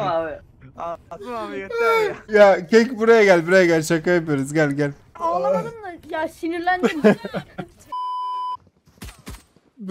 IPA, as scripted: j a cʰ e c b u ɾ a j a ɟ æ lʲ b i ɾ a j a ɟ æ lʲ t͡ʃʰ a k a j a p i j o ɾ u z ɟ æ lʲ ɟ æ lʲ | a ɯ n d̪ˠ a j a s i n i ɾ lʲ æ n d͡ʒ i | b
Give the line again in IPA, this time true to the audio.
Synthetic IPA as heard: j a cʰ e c b u ɾ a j a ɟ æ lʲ b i ɾ a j a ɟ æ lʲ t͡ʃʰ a k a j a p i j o ɾ u z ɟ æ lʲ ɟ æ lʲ | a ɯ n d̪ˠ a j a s i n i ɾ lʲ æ n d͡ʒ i | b